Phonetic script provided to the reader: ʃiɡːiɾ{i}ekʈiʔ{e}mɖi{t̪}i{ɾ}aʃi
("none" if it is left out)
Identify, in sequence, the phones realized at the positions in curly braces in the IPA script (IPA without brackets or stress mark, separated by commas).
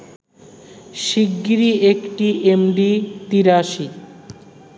i, e, t̪, ɾ